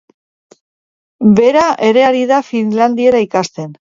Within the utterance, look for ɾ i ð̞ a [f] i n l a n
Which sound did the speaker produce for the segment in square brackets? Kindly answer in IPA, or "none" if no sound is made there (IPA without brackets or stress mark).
f